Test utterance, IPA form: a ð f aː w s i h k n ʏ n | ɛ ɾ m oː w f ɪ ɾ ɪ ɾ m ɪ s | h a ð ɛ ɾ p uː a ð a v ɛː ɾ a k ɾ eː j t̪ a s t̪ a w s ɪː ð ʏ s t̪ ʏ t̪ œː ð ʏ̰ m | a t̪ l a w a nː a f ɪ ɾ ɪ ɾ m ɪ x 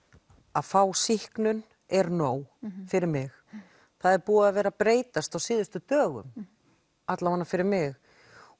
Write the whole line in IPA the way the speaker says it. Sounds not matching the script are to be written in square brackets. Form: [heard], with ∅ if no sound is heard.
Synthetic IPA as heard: a ð f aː w s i h k n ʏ n | ɛ ɾ [n] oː w f ɪ ɾ ɪ ɾ m ɪ [x] | [θ] a ð ɛ ɾ p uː a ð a v ɛː ɾ a [p] ɾ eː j t̪ a s t̪ a w s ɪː ð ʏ s t̪ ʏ t̪ œː [ɣ] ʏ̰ m | a t̪ l a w a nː a f ɪ ɾ ɪ ɾ m ɪ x